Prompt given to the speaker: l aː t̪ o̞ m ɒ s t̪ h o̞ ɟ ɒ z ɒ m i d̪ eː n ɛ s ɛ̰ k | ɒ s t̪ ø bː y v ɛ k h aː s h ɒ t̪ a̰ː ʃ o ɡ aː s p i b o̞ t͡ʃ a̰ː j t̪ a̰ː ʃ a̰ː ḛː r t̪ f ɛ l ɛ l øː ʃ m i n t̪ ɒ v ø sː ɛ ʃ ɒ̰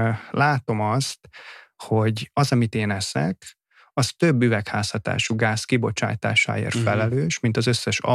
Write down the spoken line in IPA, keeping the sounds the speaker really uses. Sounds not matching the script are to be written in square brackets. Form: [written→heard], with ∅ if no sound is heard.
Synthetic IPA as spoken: l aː t̪ o̞ m ɒ s t̪ h o̞ ɟ ɒ z ɒ m i [d̪→t̪] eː n ɛ s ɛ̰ k | ɒ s t̪ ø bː y v ɛ k h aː s h ɒ t̪ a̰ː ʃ [o→u] ɡ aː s [p→k] i b o̞ t͡ʃ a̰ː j t̪ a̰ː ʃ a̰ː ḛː r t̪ f ɛ l ɛ l øː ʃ m i n t̪ ɒ [v→z] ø sː ɛ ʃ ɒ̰